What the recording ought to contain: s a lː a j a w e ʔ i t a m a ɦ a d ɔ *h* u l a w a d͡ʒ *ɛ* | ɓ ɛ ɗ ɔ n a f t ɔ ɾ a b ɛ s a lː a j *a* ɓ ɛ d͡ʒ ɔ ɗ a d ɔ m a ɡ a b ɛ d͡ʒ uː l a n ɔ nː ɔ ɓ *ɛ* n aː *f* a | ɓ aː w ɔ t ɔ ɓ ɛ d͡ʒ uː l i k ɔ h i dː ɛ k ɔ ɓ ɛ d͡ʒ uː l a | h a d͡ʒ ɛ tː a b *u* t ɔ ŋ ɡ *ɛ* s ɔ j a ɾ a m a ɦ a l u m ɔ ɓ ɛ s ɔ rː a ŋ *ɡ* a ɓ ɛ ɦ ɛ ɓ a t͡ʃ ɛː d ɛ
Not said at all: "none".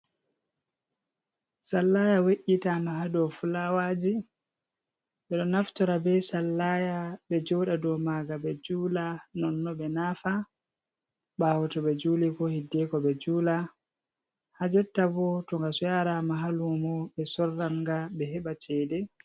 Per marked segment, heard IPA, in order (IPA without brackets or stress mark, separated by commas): f, i, a, ɛ, f, ɔ, a, ɡ